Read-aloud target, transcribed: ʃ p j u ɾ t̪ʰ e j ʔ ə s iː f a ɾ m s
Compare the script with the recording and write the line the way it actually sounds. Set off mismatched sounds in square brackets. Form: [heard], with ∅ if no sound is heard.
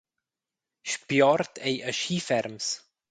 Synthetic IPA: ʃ p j [ɔ] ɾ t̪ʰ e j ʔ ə [ʃ] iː f [ɛ] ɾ m s